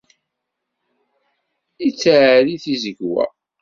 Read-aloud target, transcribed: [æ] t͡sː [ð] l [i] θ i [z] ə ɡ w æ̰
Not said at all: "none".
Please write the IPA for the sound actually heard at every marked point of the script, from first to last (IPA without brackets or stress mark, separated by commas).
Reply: i, ʕ, i, z